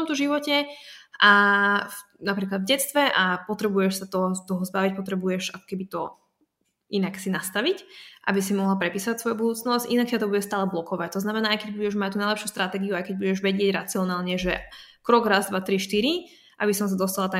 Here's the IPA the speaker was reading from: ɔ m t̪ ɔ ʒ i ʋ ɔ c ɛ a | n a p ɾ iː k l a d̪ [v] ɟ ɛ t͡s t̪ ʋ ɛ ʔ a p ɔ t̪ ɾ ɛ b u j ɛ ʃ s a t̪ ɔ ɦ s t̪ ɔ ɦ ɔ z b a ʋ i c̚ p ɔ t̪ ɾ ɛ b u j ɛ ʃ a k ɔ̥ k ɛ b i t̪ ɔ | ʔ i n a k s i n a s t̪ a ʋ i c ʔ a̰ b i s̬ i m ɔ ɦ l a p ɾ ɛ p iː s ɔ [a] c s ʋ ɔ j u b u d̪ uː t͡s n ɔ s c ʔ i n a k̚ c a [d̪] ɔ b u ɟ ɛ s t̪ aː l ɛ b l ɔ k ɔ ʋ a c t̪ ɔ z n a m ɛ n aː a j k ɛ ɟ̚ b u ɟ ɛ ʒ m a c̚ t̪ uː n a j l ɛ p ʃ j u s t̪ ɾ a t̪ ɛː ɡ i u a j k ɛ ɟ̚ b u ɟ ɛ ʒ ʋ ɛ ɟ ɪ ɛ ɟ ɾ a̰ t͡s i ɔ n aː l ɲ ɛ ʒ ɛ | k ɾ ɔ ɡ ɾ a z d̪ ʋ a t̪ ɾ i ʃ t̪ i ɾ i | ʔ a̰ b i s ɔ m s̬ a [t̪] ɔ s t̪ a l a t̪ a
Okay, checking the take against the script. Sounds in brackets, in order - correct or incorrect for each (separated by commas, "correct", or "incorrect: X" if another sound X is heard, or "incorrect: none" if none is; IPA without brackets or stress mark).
correct, correct, incorrect: t̪, incorrect: d̪